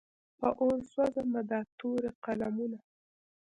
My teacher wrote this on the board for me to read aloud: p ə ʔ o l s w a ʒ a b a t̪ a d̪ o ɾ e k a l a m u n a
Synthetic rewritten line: p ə ʔ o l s w a z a m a d̪ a t̪ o ɾ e q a l a m u n a